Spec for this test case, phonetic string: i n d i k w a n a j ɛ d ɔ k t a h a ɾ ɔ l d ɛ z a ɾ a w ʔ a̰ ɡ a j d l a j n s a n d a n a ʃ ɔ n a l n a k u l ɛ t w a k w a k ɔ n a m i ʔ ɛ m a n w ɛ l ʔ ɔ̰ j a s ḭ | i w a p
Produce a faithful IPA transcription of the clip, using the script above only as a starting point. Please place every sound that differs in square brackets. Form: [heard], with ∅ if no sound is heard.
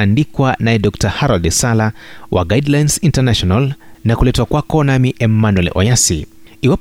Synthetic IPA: [a] n d i k w a n a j ɛ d ɔ k t a h a ɾ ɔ l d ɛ [s] a [l] a w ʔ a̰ ɡ a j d l a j n s [i] n [t] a n a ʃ ɔ n a l n a k u l ɛ t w a k w a k ɔ n a m i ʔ ɛ m a n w ɛ l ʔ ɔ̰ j a s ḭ | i w a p